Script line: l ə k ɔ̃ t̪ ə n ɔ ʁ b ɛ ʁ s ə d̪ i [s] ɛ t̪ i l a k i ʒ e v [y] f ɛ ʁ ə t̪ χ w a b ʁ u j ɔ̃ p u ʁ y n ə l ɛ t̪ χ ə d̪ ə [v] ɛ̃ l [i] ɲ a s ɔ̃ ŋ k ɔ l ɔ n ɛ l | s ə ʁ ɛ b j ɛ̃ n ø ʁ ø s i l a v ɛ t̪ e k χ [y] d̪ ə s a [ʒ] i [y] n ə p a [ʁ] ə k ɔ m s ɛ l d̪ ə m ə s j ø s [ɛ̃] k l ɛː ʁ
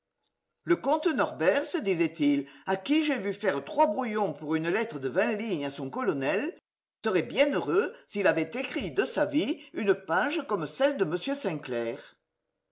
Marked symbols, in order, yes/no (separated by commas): no, yes, yes, yes, no, no, yes, no, yes